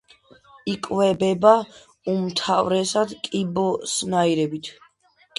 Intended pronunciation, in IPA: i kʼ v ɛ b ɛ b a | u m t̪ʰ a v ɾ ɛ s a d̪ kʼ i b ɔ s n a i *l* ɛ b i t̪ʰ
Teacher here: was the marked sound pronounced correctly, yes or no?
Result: no